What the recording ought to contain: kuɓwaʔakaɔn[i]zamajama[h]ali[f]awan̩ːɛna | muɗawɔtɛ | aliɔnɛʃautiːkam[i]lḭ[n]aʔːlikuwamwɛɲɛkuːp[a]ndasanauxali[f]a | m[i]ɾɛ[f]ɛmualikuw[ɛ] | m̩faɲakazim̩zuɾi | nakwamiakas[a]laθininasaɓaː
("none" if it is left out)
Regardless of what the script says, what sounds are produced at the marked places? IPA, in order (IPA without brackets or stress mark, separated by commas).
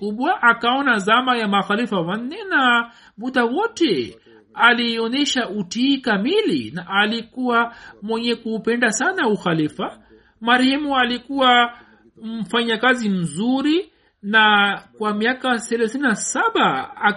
a, x, f, i, n, ɛ, f, a, h, a, ɛ